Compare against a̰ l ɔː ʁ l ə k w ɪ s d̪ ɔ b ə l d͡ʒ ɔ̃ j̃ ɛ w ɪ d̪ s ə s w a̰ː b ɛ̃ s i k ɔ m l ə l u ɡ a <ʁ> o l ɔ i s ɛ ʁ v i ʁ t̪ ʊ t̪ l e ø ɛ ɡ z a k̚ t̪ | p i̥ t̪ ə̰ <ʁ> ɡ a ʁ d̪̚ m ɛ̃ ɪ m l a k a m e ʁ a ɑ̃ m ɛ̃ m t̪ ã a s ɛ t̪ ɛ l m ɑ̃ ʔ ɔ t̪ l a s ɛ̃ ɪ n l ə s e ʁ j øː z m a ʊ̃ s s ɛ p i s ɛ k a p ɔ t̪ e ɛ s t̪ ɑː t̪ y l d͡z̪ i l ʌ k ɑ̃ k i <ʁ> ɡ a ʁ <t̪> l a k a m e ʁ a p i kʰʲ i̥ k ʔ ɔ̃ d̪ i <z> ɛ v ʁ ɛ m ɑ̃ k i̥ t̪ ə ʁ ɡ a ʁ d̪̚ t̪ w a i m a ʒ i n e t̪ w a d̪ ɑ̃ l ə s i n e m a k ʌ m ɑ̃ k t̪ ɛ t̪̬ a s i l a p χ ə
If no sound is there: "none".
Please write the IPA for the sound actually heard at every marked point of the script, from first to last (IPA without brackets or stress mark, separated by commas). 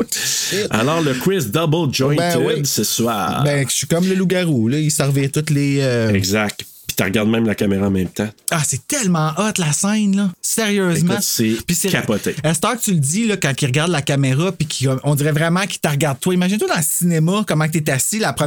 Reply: ʁ, ʁ, ʁ, d̪, ʁ